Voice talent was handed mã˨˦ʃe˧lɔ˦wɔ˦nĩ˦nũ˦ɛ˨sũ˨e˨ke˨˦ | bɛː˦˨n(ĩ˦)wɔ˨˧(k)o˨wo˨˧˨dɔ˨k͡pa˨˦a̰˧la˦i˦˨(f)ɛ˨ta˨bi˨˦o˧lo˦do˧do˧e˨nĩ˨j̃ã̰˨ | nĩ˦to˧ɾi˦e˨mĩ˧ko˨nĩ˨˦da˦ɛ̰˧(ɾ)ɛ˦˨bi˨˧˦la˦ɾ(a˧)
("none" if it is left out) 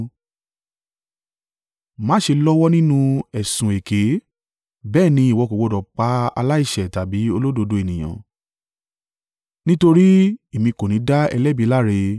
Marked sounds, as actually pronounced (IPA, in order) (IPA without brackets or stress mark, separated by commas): ĩ˧˦˨, k, ʃ, l, e˧